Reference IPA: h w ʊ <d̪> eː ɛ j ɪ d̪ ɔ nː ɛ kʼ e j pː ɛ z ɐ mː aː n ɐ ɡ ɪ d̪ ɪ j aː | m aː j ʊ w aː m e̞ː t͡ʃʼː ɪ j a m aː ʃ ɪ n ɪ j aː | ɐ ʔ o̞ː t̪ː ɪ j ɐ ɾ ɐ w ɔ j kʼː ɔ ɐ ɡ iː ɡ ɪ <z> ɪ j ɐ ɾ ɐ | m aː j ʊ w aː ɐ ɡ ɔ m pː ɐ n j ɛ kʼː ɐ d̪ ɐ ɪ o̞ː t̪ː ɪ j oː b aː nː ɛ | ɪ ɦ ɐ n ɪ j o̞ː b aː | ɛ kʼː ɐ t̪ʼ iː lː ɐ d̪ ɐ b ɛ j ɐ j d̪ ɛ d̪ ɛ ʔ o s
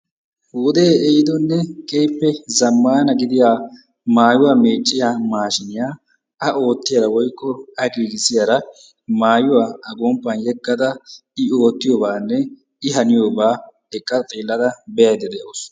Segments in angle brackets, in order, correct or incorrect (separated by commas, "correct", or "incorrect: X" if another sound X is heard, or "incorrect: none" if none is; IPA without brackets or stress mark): correct, incorrect: s